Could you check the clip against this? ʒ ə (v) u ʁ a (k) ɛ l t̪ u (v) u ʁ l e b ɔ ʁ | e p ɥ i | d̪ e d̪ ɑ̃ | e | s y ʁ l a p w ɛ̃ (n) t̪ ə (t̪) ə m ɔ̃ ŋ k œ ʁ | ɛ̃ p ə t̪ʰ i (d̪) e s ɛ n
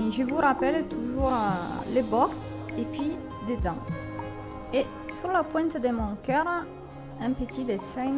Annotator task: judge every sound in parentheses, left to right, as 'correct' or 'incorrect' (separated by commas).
correct, incorrect, incorrect, correct, incorrect, correct